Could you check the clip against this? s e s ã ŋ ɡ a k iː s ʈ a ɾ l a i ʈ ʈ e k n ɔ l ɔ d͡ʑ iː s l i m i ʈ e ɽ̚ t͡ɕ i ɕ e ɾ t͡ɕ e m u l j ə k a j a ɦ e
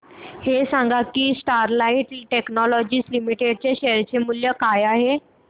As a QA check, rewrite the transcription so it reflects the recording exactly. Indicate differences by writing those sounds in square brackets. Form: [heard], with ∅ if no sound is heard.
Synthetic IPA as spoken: [h] e s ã ŋ ɡ a k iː s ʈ a ɾ l a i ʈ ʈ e k n ɔ l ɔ d͡ʑ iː s l i m i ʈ e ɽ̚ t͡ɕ [e] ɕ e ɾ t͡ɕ e m u l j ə k a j a ɦ e